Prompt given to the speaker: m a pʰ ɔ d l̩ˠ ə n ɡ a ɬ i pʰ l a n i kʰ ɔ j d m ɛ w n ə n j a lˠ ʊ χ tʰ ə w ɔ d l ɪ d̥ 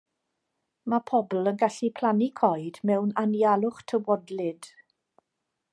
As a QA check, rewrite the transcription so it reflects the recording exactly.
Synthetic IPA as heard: m a pʰ ɔ b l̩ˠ ə n ɡ a ɬ i pʰ l a n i kʰ ɔ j d m ɛ w n a n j a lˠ ʊ χ tʰ ə w ɔ d l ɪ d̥